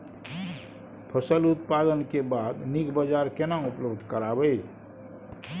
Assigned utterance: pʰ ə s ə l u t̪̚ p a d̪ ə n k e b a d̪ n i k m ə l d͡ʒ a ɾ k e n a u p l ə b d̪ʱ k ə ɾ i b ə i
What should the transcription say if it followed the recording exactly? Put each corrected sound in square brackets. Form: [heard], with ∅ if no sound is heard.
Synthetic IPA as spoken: pʰ ə s ə l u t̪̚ p a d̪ ə n k e b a d̪ n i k [b] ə [∅] d͡ʒ a ɾ k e n a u p l ə b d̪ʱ k ə ɾ [a] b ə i